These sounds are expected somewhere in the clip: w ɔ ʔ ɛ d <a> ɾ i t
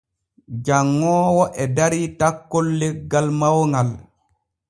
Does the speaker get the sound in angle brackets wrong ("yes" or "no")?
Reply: no